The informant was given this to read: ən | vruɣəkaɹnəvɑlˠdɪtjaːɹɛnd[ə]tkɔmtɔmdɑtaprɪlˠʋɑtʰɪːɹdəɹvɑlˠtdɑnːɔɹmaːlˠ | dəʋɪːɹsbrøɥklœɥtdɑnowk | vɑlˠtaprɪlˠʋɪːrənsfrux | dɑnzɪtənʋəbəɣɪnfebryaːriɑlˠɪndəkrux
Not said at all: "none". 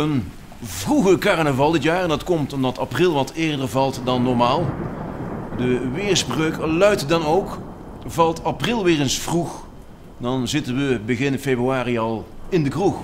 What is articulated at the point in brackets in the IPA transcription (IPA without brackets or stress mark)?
ɑ